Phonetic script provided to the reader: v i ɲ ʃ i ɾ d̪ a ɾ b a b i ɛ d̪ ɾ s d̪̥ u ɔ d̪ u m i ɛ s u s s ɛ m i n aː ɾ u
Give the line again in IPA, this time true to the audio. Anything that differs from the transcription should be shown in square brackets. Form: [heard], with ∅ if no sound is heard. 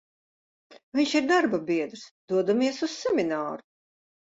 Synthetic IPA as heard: v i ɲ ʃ i ɾ d̪ a ɾ b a b i ɛ d̪ ɾ s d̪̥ u ɔ d̪ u m i ɛ s u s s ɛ m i n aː ɾ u